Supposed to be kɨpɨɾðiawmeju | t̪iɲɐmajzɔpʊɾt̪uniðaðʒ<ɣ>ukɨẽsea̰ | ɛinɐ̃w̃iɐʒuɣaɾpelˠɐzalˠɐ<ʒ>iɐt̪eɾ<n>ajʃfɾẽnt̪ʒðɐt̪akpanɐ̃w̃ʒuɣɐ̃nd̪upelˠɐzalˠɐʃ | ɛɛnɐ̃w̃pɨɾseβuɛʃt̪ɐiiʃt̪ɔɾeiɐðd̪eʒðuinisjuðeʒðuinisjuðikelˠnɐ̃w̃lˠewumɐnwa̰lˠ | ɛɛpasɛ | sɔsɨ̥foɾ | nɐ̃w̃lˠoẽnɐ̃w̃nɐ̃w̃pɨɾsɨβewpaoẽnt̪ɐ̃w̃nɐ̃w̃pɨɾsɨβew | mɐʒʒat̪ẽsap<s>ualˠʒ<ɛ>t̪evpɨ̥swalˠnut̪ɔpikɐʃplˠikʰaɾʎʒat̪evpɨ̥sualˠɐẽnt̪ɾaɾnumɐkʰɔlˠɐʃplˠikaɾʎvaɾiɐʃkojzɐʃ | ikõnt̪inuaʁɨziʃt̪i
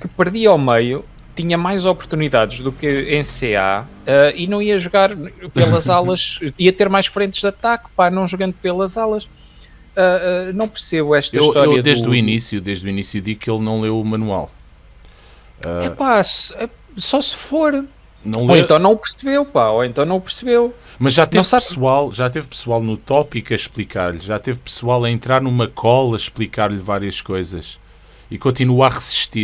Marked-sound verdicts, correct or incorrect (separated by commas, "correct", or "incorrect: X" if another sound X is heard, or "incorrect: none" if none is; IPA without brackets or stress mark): incorrect: ð, incorrect: ʃ, incorrect: m, correct, incorrect: a